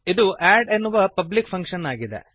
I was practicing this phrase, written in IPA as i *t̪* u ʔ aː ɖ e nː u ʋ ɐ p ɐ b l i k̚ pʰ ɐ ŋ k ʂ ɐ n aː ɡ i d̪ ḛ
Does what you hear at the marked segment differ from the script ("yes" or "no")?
yes